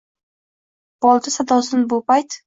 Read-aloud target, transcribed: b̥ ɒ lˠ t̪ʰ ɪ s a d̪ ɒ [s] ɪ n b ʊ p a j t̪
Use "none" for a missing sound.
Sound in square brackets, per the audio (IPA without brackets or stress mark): s